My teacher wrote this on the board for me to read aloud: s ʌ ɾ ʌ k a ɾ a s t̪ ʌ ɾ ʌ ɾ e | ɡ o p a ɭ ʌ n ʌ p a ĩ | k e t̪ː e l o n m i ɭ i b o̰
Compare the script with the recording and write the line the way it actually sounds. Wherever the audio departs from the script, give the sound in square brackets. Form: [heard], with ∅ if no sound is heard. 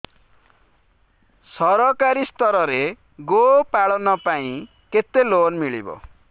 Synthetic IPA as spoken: s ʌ ɾ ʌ k a ɾ [i] s t̪ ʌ ɾ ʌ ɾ e | ɡ o p a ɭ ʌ n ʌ p a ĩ | k e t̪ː e l o n m i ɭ i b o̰